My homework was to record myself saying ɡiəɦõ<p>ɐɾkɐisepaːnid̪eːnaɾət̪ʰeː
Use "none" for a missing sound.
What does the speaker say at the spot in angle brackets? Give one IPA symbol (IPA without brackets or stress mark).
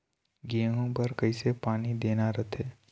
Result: p